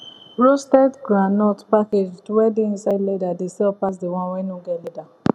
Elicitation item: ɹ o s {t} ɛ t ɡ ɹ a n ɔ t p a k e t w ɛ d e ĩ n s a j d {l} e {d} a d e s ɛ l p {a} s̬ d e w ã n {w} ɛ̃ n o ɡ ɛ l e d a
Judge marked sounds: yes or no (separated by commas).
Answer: yes, yes, yes, yes, yes